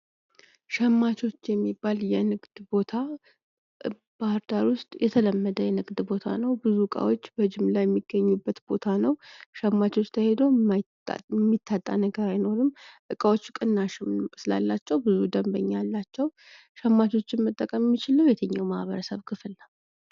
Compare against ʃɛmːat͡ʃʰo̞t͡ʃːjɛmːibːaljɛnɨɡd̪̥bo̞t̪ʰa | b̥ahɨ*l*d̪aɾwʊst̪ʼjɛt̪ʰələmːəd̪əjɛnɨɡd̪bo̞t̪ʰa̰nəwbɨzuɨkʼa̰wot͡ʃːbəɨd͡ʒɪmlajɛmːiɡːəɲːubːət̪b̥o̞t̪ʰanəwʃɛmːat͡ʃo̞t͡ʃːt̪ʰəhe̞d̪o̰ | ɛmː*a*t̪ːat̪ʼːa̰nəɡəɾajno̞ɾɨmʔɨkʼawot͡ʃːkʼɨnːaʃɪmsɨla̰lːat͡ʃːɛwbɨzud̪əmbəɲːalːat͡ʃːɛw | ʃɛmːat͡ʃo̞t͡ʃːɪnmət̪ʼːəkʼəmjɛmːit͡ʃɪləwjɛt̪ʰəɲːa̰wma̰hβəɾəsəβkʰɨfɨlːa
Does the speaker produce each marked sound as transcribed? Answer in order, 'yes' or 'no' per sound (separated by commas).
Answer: no, no